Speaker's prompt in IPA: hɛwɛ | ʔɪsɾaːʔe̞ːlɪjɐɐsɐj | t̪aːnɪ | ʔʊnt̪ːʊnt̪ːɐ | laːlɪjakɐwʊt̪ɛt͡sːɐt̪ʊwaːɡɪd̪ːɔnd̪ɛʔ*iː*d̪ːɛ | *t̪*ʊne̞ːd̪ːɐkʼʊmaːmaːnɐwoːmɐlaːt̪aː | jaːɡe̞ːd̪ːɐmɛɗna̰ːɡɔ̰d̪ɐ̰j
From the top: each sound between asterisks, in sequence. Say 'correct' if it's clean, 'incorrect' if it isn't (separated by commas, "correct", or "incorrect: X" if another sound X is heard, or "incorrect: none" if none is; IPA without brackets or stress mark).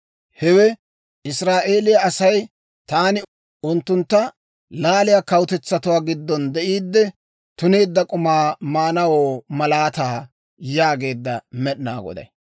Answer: correct, correct